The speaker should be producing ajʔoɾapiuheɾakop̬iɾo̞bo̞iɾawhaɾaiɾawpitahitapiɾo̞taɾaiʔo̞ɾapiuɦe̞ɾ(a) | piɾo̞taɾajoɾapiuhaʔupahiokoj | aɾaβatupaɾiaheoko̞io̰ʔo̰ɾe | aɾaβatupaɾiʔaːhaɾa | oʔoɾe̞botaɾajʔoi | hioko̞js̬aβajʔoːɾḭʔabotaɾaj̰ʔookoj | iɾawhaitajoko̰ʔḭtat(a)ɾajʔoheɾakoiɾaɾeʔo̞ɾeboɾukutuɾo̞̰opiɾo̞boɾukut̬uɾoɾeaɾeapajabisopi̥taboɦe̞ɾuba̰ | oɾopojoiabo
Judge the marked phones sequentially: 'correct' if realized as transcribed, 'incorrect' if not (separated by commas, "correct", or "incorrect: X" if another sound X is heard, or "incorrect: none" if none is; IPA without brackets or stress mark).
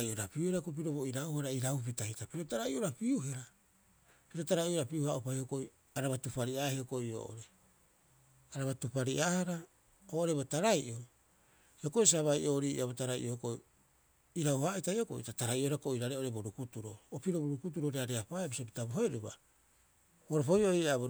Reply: correct, correct